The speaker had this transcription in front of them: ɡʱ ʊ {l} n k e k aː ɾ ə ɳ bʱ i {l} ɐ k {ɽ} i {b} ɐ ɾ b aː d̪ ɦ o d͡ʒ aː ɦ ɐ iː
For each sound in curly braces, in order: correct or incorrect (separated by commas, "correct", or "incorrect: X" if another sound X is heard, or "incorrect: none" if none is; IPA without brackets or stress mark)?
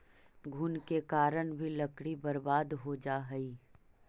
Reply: incorrect: none, correct, correct, correct